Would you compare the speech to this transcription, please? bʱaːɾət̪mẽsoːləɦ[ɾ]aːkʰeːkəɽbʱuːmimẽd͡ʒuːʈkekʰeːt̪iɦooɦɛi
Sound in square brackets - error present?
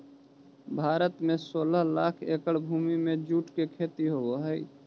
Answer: yes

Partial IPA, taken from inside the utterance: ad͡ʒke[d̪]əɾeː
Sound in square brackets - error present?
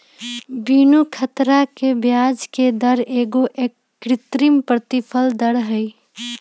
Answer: no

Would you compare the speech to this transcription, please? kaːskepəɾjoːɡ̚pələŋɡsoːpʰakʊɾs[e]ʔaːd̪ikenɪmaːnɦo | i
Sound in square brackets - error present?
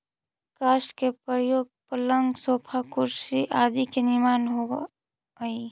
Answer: yes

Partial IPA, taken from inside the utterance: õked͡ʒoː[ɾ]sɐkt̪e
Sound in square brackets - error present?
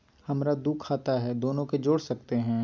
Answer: yes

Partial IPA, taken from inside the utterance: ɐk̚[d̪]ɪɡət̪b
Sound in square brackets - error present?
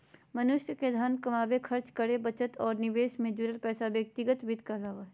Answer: yes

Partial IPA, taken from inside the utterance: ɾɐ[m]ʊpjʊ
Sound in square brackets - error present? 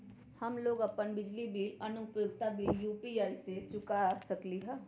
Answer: yes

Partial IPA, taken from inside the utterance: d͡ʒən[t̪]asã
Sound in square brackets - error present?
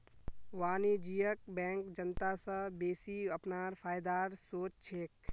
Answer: no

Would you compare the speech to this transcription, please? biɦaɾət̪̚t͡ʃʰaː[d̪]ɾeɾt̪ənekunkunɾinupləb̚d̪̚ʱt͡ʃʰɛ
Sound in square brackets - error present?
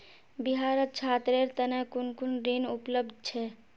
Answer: yes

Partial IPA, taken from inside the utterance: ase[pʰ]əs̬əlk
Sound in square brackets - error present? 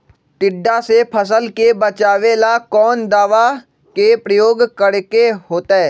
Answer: no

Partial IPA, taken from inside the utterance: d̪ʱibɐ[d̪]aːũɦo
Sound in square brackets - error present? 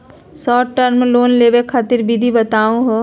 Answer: yes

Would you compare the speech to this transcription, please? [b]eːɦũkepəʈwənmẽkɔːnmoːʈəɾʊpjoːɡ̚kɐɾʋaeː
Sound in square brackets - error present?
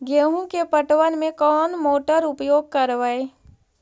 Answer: yes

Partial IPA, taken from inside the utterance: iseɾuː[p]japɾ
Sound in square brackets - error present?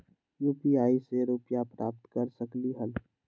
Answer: no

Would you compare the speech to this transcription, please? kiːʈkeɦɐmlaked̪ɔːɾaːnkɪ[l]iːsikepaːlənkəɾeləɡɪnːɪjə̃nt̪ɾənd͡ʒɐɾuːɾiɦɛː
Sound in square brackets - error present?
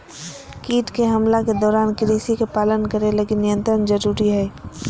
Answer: yes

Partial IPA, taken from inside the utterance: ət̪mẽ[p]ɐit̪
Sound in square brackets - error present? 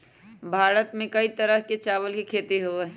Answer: yes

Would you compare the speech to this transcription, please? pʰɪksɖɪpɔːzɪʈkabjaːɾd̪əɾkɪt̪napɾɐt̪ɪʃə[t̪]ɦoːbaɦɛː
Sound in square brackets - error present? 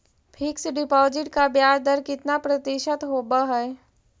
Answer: no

